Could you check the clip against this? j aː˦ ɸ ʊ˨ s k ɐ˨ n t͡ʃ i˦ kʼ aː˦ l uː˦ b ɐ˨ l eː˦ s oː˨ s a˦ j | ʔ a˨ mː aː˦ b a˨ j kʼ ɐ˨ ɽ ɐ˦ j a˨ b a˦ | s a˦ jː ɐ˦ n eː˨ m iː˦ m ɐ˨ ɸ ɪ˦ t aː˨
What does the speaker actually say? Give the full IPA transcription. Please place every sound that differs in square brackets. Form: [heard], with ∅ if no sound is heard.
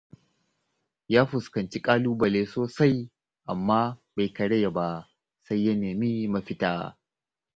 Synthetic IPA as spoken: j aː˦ ɸ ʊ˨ s k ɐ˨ n t͡ʃ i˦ kʼ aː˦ l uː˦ b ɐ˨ l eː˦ s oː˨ s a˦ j | ʔ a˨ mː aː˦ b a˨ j [k] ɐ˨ ɽ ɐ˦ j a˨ b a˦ | s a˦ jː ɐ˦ n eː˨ m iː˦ m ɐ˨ ɸ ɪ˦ t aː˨